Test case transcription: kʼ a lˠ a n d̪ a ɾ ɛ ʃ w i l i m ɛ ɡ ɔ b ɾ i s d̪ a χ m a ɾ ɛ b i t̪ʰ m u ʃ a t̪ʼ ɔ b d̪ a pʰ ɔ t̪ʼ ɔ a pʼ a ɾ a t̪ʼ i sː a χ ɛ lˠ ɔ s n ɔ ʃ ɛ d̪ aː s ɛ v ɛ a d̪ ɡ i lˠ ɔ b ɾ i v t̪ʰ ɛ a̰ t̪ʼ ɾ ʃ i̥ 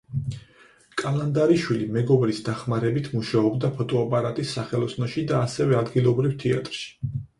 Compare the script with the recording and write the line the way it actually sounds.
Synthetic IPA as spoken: kʼ a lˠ a n d̪ a ɾ i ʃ w i l i m ɛ ɡ ɔ b ɾ i s d̪ a χ m a ɾ ɛ b i t̪ʰ m u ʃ a ɔ b d̪ a pʰ ɔ t̪ʼ ɔ a pʼ a ɾ a t̪ʼ i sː a χ ɛ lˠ ɔ s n ɔ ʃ i d̪ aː s ɛ v ɛ a d̪ ɡ i lˠ ɔ b ɾ i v t̪ʰ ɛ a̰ t̪ʼ ɾ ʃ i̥